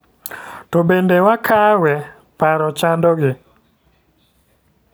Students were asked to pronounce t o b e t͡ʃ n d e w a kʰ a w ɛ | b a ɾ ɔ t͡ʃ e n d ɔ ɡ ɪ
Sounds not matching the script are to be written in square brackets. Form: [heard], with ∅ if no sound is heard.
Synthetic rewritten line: t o b e [∅] n d e w a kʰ a w ɛ | [p] a ɾ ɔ t͡ʃ [a] n d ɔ ɡ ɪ